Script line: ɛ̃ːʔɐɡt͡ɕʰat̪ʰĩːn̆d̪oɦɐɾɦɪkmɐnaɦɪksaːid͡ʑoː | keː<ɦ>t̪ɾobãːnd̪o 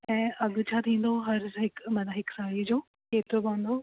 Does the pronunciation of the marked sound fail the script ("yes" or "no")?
yes